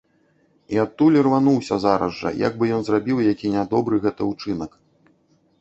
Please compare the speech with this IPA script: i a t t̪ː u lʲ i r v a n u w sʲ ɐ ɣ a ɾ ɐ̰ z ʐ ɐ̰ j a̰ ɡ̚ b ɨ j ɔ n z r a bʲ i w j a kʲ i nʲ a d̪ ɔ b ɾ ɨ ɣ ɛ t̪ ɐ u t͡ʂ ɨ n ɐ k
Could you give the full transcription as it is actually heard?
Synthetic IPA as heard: i a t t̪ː u lʲ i r v a n u w sʲ ɐ z a ɾ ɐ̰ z ʐ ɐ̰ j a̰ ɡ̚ b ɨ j ɔ n z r a bʲ i w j a kʲ i nʲ a d̪ ɔ b ɾ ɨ ɣ ɛ t̪ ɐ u t͡ʂ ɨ n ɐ k

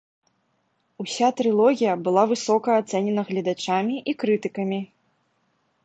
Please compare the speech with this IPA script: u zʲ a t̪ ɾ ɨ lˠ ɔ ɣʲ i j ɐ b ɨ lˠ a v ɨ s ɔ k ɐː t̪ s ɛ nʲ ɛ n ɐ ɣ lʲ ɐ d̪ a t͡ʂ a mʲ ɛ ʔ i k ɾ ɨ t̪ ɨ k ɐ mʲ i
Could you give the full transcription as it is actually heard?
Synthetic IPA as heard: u sʲ a t̪ ɾ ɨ lˠ ɔ ɣʲ i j ɐ b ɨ lˠ a v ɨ s ɔ k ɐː t̪ s ɛ nʲ ɛ n ɐ ɣ lʲ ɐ d̪ a t͡ʂ a mʲ i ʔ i k ɾ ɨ t̪ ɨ k ɐ mʲ i

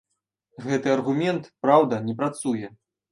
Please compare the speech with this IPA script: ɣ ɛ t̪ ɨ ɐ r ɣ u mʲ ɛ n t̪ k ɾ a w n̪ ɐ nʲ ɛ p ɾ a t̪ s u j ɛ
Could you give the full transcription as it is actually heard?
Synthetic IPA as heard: ɣ ɛ t̪ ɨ ɐ r ɣ u mʲ ɛ n t̪ p ɾ a w d̪ ɐ nʲ ɛ p ɾ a t̪ s u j ɛ

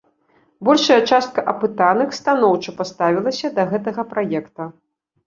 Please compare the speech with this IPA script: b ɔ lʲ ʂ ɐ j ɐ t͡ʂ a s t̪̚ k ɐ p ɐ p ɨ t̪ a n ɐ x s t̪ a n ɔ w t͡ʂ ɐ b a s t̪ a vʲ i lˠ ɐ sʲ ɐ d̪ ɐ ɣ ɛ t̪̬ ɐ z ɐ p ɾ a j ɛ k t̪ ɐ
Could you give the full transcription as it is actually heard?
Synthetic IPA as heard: b ɔ lʲ ʂ ɐ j ɐ t͡ʂ a s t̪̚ k ɐ ʔ ɐ p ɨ t̪ a n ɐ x s t̪ a n ɔ w t͡ʂ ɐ p a s t̪ a vʲ i lˠ ɐ sʲ ɐ d̪ ɐ ɣ ɛ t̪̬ ɐ ɣ ɐ p ɾ a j ɛ k t̪ ɐ

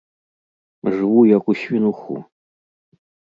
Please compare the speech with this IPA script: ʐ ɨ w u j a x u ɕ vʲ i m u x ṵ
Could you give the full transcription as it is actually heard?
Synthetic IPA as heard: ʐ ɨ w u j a k u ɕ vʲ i n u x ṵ

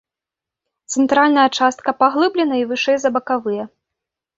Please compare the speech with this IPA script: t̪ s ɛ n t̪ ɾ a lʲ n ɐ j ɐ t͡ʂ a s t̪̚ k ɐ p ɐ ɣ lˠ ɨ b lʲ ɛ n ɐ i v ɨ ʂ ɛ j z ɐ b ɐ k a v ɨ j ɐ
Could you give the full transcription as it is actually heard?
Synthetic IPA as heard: t̪ s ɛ n t̪ ɾ a lʲ n ɐ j ɐ t͡ʂ a s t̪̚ k ɐ p a ɣ lˠ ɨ b lʲ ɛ n ɐ i v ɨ ʂ ɛ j z ɐ b ɐ k a v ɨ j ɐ

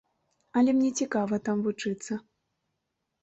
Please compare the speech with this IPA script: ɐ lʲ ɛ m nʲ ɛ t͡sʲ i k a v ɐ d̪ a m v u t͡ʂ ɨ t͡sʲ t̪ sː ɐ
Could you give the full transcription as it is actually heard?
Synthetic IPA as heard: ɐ lʲ ɛ m nʲ ɛ t͡sʲ i k a v ɐ t̪ a m v u t͡ʂ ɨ t̪ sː ɐ

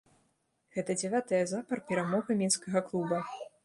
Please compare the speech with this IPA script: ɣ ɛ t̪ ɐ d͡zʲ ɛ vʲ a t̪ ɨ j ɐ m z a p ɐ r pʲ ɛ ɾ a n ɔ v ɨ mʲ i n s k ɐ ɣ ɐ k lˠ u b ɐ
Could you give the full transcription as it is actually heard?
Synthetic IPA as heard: ɣ ɛ t̪ ɐ d͡zʲ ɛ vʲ a t̪ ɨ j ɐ z a p ɐ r pʲ ɛ ɾ a m ɔ ɣ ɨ mʲ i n s k ɐ ɣ ɐ k lˠ u b ɐ

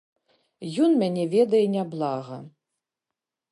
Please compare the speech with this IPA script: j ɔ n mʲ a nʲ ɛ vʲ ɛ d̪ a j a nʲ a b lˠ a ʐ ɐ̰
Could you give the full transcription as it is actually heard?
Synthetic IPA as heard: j ɔ n mʲ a nʲ ɛ vʲ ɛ d̪ ɐ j ɛ nʲ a b lˠ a ɣ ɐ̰

